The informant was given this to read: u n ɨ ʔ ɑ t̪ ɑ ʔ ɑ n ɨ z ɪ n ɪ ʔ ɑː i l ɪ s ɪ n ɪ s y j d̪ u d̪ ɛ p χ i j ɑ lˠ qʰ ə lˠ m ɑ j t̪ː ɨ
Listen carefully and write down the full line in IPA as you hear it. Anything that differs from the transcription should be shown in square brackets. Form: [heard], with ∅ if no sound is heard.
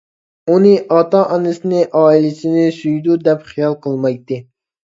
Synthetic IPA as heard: u n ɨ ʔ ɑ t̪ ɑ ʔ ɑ n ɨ [s] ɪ n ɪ ʔ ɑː i l ɪ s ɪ n ɪ s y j d̪ u d̪ ɛ p χ i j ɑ lˠ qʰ ə lˠ m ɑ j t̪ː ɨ